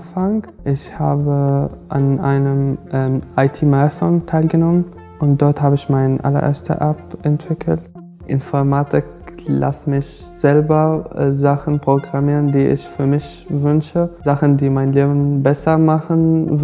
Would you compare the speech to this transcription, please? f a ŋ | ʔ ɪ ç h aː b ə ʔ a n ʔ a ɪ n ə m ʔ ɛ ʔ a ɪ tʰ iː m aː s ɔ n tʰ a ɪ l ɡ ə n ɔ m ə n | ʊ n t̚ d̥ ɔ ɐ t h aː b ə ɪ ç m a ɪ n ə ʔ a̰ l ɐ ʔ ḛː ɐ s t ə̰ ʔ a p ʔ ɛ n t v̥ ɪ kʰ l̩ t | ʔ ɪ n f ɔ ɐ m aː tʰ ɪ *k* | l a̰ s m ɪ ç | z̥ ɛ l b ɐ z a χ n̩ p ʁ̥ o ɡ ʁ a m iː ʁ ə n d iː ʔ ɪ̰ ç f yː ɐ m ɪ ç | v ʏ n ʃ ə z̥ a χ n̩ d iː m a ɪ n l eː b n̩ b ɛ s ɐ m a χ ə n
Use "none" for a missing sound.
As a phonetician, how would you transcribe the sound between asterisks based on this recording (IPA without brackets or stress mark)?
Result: k